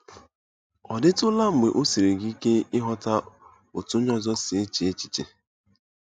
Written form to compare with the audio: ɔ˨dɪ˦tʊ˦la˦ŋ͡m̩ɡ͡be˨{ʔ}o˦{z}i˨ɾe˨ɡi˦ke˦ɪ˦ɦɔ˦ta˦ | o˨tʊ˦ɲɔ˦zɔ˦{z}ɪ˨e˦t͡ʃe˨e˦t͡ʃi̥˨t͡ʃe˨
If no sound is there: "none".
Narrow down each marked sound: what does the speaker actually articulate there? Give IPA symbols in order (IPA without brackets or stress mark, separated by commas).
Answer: ʔ, s, s